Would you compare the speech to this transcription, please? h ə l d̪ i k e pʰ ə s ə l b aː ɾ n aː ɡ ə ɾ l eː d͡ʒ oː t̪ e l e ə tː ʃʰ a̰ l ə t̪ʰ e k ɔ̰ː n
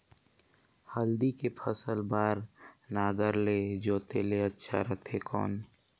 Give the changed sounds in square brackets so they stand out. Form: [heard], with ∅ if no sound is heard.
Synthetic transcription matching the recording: h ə l d̪ i k e pʰ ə s ə l b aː ɾ n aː ɡ ə ɾ l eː d͡ʒ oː t̪ e l e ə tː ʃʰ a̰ [ɾ] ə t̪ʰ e k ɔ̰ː n